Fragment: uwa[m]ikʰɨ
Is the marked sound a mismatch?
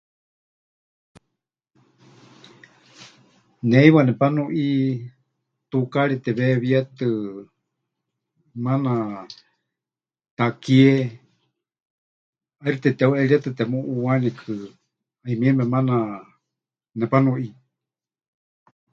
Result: yes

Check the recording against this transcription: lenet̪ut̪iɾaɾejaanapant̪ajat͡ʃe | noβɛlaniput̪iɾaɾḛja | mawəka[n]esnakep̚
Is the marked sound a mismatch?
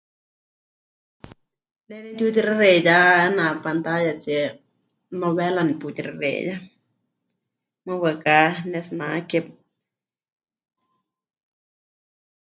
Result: no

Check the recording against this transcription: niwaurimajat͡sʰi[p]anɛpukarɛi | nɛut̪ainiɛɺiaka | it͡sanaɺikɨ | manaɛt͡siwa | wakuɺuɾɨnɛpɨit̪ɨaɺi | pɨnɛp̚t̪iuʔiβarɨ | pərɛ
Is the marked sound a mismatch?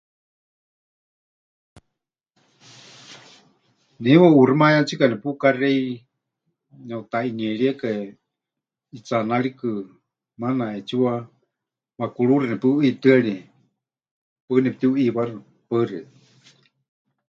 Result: yes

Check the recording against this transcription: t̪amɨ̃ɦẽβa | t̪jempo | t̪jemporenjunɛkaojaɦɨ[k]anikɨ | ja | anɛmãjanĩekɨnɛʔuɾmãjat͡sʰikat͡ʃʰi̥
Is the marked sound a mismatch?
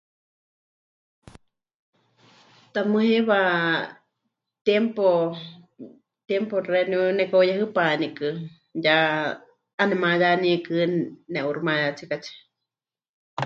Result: yes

